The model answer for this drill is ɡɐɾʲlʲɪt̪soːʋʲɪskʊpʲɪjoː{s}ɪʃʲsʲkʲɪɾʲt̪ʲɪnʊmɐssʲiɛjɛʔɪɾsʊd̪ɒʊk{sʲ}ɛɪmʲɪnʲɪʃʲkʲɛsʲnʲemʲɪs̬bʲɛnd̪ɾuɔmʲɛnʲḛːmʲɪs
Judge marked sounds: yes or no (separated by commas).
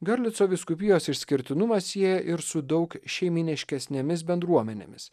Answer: yes, no